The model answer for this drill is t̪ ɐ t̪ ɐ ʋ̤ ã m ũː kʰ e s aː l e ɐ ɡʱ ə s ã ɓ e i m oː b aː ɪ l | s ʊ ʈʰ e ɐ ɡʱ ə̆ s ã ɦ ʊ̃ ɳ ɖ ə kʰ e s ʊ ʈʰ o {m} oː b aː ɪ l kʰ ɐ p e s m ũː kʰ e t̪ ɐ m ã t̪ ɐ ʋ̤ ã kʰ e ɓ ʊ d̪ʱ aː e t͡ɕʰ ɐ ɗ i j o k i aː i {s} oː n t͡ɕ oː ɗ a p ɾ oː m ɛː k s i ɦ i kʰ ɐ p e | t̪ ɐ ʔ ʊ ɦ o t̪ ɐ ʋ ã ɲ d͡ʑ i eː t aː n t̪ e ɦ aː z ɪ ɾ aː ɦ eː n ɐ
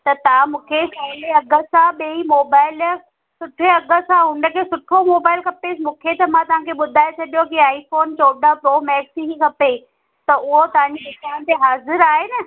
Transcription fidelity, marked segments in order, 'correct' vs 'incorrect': correct, incorrect

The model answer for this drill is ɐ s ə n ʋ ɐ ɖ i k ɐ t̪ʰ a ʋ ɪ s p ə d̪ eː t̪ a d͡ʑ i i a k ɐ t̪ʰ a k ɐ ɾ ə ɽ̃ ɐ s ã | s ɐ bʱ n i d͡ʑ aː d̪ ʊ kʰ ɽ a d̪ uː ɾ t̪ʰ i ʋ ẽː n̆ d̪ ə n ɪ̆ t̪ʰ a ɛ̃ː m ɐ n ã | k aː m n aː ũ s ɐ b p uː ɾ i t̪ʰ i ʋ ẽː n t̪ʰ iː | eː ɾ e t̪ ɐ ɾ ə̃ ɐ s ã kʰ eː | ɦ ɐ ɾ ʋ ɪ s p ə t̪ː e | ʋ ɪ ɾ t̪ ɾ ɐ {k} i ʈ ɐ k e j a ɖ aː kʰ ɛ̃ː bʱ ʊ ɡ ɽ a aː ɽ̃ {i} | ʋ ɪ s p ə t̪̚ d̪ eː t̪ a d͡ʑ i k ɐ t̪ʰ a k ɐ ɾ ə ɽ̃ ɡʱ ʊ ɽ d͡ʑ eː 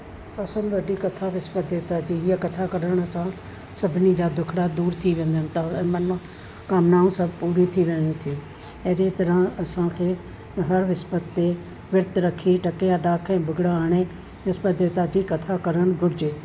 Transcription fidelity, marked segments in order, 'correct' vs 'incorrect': incorrect, incorrect

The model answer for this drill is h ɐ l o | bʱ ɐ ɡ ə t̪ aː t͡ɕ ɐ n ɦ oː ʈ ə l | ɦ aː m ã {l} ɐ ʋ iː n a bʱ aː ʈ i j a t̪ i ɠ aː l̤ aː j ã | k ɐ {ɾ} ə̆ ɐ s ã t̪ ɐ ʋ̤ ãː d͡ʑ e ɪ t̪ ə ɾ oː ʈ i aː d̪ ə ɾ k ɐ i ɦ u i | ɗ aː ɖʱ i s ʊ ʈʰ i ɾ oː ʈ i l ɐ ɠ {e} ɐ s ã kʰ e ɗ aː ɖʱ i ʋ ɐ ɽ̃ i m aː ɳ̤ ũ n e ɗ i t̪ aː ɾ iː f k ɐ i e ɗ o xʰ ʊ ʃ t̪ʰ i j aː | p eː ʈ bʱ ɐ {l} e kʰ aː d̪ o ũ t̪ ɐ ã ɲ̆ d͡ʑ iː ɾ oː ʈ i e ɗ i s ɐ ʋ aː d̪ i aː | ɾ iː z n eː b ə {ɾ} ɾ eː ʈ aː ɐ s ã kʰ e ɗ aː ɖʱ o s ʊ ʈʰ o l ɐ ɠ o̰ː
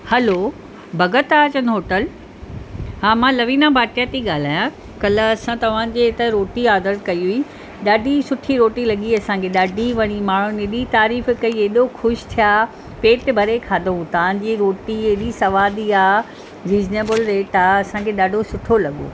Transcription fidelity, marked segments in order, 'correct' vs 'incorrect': correct, incorrect, incorrect, incorrect, incorrect

